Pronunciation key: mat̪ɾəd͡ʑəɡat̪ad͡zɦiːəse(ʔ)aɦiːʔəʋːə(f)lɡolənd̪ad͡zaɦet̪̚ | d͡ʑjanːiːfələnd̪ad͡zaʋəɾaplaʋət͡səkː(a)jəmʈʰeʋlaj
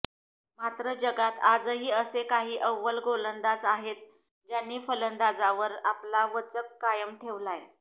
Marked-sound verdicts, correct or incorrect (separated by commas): incorrect, incorrect, correct